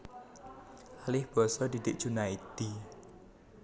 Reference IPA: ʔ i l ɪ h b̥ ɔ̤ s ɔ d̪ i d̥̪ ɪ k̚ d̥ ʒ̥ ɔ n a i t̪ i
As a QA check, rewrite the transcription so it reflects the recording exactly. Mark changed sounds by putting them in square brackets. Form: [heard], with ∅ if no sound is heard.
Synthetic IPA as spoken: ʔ [a] l ɪ h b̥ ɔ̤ s ɔ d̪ i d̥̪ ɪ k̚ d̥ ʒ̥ [u] n a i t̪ i